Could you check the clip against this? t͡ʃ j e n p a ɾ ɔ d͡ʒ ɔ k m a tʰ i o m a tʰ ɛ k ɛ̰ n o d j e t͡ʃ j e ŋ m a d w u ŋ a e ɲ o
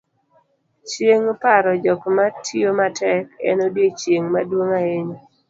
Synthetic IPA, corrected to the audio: t͡ʃ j e ŋ p a ɾ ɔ d͡ʒ ɔ k m a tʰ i o m a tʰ ɛ k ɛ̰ n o d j e t͡ʃ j e ŋ m a d w o ŋ a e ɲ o

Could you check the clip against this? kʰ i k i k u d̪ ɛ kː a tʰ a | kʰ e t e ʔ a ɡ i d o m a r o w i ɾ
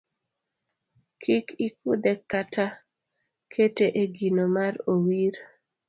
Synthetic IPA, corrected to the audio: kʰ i k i k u d̪ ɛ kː a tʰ a | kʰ e t e ʔ e ɡ i n o m a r o w i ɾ

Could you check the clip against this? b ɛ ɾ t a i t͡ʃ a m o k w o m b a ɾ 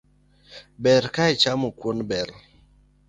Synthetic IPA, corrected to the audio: b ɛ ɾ k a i t͡ʃ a m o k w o n b ɛ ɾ

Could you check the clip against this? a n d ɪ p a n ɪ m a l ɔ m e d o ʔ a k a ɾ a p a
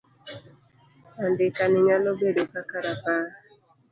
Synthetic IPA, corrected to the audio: a n d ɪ k a n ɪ ɲ a l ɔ b e d o k a k a ɾ a p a

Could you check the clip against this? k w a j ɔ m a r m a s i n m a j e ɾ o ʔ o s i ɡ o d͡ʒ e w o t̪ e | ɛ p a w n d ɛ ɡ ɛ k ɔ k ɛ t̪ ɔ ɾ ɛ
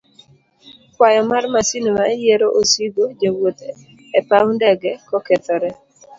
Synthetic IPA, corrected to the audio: k w a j ɔ m a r m a s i n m a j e ɾ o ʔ o s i ɡ o d͡ʒ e w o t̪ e | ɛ p a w n d ɛ ɡ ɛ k ɔ k ɛ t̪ ɔ ɾ ɛ

